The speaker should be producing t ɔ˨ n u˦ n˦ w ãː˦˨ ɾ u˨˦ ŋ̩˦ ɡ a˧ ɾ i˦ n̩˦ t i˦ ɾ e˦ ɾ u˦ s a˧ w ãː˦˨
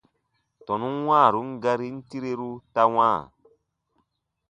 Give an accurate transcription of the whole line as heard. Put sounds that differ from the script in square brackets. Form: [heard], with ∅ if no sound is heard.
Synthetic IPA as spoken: t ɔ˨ n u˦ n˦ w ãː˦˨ ɾ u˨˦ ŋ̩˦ ɡ a˧ ɾ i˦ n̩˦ t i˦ ɾ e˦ ɾ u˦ [t] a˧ w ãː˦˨